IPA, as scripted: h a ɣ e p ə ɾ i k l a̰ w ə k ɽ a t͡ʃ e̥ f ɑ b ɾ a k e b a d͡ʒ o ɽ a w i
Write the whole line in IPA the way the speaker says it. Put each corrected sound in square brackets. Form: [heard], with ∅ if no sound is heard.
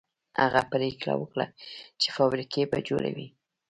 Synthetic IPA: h a ɣ [a] p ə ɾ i k l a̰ w ə k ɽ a t͡ʃ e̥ f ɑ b ɾ [i] k e b a d͡ʒ o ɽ a w i

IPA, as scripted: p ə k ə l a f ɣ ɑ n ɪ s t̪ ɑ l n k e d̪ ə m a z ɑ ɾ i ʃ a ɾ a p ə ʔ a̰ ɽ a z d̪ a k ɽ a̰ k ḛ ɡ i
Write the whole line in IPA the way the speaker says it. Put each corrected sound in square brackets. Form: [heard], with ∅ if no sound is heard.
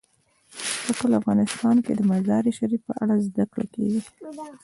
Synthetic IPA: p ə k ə l a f ɣ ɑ n ɪ s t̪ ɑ [∅] n k e d̪ ə m a z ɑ ɾ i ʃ a ɾ [i] p ə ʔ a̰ ɽ a z d̪ a k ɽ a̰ k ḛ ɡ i

